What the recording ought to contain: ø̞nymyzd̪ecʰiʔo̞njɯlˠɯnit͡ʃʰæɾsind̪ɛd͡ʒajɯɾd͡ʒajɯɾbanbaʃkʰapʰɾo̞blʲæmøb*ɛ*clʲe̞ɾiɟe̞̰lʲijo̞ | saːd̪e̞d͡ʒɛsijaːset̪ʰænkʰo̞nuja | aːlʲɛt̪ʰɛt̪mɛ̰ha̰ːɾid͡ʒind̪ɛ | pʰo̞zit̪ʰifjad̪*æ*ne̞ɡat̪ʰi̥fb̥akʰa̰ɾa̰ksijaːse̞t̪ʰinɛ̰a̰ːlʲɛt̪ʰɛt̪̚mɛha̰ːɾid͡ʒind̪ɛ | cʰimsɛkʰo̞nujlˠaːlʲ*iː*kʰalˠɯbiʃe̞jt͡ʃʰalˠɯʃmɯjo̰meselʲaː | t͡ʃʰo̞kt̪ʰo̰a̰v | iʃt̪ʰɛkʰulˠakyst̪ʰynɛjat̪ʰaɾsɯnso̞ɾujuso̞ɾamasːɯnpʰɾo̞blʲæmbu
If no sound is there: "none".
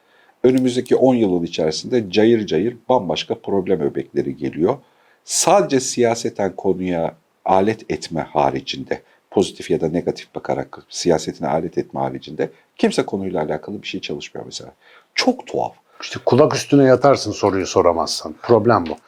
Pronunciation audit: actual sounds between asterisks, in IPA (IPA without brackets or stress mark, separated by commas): ɛ, a, aː